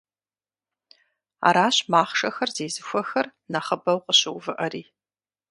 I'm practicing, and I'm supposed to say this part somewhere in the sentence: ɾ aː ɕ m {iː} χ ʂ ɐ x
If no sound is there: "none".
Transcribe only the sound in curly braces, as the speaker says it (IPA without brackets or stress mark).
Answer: aː